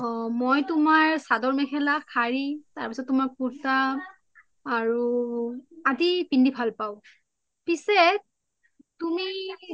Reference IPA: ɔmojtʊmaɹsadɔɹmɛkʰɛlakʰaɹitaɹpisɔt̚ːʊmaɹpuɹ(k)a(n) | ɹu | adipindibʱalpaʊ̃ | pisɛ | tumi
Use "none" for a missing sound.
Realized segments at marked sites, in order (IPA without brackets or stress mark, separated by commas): t, none